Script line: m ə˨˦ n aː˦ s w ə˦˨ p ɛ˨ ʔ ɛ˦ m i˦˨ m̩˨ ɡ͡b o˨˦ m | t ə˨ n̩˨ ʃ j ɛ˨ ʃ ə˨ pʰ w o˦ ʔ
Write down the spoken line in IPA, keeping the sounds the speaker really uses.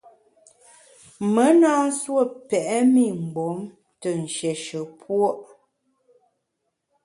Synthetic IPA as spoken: m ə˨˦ n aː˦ s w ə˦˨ p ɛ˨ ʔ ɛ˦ m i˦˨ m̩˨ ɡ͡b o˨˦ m | t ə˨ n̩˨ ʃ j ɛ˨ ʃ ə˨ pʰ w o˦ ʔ